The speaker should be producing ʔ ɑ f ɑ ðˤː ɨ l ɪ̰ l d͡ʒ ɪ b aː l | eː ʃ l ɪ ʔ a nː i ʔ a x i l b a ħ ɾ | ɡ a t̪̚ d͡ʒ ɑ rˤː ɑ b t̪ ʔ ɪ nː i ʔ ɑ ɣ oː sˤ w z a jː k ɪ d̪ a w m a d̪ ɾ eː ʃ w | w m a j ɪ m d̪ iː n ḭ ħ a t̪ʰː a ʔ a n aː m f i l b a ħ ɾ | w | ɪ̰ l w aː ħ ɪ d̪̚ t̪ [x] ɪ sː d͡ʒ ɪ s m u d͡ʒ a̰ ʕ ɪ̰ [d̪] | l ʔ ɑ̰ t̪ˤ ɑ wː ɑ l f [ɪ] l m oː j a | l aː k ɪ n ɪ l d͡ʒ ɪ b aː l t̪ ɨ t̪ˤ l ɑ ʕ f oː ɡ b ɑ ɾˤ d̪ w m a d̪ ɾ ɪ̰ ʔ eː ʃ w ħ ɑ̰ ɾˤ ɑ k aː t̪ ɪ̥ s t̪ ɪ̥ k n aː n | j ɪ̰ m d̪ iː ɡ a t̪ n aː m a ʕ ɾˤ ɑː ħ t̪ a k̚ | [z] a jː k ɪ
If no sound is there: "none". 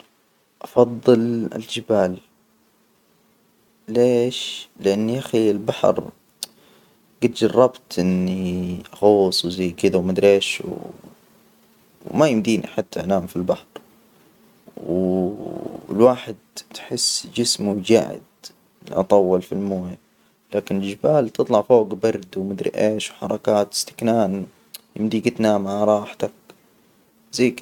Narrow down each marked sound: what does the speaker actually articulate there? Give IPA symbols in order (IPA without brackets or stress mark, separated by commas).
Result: ħ, d̪, i, z